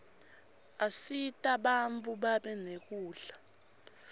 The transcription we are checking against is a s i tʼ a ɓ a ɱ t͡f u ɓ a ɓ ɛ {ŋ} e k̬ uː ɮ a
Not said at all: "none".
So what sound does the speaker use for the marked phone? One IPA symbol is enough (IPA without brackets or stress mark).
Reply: n